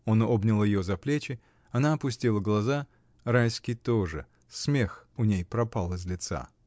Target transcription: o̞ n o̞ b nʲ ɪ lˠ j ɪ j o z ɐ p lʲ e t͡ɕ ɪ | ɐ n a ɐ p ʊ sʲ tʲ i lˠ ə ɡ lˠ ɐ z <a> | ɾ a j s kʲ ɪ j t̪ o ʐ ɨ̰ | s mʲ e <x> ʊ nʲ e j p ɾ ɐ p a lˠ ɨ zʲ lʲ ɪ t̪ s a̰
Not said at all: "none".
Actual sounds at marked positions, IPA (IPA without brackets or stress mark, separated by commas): a, x